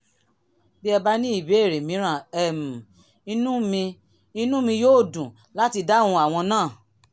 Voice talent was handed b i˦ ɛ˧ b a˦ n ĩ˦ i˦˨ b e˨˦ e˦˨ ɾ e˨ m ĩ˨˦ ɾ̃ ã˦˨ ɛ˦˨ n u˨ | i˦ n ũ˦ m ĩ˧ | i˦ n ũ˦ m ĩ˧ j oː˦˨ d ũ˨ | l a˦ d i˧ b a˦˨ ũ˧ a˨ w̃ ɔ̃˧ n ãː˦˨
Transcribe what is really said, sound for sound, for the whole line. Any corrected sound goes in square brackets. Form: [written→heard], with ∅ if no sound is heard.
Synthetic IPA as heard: b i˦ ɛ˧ b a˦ n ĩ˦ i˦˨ b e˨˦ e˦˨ ɾ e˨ m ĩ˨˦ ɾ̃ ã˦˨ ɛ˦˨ [n→m] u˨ | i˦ n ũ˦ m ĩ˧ | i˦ n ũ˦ m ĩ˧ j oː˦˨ d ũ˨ | l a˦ [d→t] i˧ [b→d] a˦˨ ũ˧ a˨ w̃ ɔ̃˧ n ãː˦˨